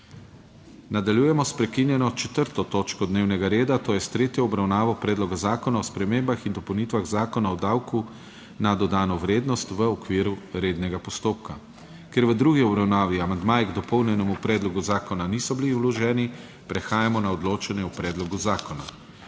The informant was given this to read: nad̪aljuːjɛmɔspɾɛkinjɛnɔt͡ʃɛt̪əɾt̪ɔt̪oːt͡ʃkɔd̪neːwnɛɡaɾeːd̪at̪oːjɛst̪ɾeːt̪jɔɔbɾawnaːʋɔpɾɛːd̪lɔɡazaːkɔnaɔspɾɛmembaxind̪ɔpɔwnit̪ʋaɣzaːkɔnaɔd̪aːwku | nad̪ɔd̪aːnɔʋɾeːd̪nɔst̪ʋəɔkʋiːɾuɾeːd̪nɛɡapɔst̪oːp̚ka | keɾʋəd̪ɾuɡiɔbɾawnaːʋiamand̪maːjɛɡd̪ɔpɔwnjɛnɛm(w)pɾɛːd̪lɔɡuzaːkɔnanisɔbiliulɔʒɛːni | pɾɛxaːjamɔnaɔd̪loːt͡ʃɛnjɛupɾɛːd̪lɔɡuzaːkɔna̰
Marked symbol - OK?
no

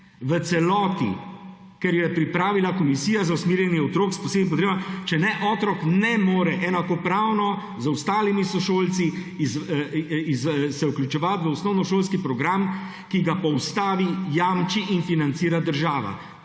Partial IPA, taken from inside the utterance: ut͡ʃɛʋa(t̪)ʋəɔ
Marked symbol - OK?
yes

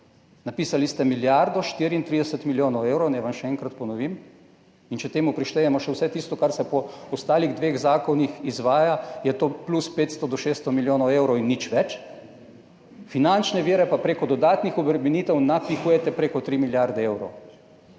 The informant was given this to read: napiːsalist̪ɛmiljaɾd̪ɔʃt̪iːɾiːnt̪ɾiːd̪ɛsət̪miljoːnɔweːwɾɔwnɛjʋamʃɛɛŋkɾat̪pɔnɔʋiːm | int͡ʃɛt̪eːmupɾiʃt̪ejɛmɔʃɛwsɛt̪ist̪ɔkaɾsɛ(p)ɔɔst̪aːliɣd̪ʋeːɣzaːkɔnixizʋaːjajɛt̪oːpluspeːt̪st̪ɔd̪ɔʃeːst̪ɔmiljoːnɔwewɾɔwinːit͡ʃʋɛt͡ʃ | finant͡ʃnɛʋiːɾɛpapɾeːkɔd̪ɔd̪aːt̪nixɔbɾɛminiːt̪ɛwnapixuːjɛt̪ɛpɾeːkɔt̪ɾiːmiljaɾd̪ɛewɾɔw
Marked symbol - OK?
yes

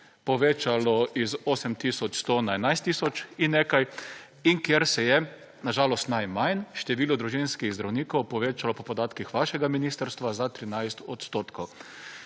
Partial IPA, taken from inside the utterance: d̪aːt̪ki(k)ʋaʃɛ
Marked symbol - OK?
no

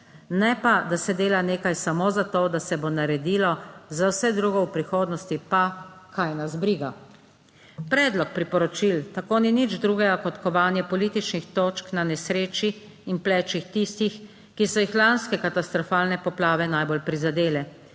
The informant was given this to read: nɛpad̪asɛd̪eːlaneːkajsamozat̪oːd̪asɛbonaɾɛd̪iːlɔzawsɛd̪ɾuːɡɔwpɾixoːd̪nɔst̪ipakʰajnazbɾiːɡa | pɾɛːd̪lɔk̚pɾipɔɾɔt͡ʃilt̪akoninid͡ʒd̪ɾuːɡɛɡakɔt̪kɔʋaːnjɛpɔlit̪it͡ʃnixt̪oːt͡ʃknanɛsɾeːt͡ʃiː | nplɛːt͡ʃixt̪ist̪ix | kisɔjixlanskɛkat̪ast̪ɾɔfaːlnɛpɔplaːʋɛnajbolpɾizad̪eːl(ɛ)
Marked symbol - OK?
yes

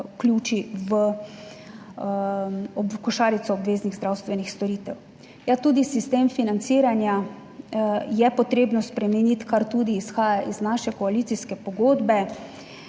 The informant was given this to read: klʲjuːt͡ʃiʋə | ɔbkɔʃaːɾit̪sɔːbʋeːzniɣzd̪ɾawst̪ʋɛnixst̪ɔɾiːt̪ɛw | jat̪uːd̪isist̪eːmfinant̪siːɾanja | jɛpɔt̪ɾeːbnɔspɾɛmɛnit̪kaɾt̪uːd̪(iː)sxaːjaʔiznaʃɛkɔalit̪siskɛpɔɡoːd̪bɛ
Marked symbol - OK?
yes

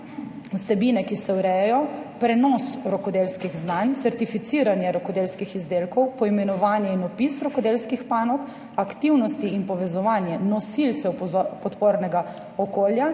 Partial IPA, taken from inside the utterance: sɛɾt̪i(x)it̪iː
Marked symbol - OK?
no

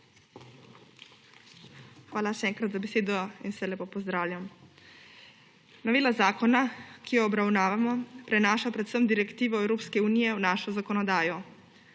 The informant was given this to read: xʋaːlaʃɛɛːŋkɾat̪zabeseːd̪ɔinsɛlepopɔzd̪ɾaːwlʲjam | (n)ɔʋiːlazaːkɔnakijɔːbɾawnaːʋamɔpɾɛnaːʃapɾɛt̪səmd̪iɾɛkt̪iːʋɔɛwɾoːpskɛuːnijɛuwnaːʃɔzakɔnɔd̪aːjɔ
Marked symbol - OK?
yes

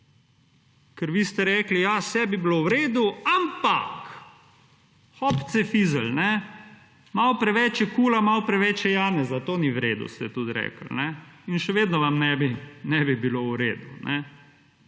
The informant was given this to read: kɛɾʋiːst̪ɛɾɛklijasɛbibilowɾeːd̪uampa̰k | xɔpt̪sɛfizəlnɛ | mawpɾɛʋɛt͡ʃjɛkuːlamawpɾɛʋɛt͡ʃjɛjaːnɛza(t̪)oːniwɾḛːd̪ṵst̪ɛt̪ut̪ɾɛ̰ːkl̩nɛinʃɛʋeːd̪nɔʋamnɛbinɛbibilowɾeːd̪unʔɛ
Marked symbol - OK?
yes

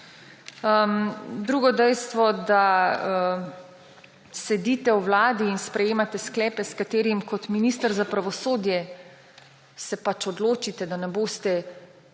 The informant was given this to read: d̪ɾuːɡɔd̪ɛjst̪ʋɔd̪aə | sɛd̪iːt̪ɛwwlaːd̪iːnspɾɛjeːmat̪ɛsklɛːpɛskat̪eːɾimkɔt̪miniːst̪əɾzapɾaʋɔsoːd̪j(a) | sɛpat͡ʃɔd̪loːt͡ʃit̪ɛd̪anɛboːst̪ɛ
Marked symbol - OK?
no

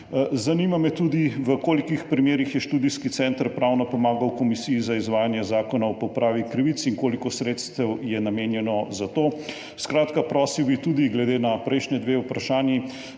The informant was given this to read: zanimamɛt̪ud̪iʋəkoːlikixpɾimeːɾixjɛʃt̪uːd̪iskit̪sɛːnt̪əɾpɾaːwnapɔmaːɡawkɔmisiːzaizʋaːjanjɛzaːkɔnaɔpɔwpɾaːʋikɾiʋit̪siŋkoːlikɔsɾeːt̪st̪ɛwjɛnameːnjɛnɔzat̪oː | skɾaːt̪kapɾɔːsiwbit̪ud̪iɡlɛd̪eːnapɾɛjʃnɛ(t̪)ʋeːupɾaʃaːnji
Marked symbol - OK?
no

